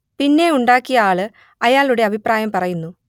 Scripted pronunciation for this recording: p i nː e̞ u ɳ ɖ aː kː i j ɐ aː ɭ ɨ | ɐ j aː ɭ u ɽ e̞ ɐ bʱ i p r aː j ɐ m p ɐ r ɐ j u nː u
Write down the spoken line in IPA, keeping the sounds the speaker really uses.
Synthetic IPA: p i nː e̞ u ɳ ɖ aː kː i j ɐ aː ɭ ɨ | ɐ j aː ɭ u ɽ e̞ ɐ bʱ i p r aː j ɐ m p ɐ r ɐ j u nː u